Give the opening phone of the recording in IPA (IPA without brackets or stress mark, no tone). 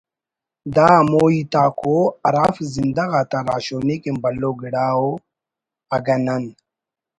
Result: d̪